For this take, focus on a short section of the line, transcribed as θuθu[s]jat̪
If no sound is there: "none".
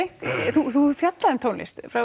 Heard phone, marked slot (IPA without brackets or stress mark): f